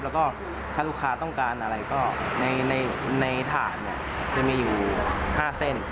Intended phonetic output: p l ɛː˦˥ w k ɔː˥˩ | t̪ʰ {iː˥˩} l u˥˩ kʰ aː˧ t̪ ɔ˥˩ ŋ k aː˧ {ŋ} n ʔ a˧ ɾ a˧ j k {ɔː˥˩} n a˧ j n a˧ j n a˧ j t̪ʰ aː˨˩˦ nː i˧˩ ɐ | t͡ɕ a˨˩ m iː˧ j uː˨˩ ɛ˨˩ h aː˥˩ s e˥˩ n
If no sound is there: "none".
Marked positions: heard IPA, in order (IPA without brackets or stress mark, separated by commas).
aː˥˩, none, ɔː˥˩